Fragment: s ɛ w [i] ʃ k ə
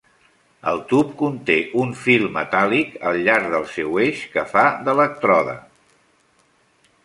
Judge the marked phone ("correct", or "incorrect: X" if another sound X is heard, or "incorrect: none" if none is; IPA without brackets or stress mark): incorrect: e